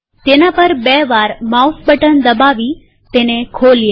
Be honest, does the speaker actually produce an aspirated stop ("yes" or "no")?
yes